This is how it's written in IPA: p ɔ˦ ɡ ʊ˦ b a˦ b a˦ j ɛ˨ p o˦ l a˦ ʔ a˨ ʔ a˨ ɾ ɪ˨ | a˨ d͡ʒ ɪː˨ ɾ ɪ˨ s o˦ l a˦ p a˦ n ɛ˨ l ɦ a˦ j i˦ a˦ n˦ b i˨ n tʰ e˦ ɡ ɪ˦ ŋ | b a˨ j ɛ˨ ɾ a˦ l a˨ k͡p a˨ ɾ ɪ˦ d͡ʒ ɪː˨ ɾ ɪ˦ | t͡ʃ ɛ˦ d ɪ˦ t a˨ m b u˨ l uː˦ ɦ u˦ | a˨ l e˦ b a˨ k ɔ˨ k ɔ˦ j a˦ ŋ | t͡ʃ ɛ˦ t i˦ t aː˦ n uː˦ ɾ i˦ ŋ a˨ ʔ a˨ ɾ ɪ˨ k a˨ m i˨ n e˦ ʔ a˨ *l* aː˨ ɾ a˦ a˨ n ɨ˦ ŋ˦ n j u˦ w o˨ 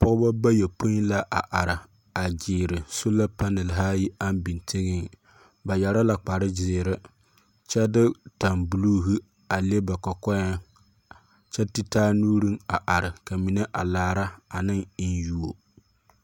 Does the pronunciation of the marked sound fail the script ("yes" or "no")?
no